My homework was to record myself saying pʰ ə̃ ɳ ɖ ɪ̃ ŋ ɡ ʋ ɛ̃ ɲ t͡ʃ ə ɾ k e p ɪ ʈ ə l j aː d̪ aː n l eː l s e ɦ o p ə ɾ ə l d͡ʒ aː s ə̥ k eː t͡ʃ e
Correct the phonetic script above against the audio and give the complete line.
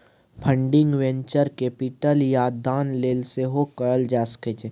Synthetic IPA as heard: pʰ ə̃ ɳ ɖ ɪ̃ ŋ ɡ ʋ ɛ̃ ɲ t͡ʃ ə ɾ k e p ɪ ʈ ə l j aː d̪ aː n l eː l s e ɦ o k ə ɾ ə l d͡ʒ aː s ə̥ k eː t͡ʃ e